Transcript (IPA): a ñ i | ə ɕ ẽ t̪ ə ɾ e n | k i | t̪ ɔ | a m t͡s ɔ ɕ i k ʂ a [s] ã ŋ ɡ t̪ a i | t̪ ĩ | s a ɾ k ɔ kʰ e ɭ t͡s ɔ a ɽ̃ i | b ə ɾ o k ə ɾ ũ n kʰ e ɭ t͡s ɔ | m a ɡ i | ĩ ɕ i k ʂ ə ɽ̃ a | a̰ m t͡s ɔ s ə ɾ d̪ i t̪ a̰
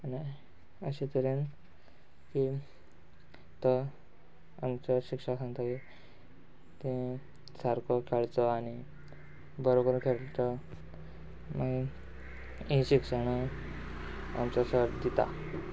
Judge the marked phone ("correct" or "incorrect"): correct